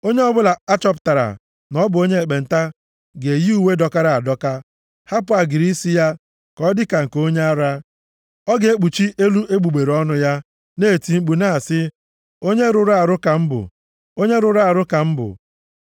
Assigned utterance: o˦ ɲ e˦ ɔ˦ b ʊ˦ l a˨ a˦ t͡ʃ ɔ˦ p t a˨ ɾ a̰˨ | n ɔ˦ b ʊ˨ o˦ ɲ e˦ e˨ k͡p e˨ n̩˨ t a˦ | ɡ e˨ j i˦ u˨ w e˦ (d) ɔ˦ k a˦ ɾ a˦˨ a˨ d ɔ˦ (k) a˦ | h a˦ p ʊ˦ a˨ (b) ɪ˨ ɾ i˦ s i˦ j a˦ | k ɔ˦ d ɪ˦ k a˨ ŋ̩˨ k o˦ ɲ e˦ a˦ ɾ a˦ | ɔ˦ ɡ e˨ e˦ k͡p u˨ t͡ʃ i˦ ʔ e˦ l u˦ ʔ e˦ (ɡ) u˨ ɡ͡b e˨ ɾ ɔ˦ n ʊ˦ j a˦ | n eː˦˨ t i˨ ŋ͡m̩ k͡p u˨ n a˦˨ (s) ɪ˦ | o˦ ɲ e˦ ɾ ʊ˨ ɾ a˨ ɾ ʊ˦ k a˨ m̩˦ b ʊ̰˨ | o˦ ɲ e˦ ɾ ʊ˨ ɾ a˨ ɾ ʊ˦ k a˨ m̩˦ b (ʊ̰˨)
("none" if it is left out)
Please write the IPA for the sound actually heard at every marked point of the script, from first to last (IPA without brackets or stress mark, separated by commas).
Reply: d, k, ɡ, ɡ͡b, s, ʊ̰˨